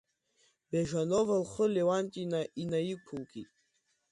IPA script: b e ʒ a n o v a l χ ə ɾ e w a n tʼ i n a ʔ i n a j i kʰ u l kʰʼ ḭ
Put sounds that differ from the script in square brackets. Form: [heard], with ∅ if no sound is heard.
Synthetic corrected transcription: b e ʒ a n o v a l χ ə [l] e w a n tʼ i n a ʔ i n a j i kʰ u l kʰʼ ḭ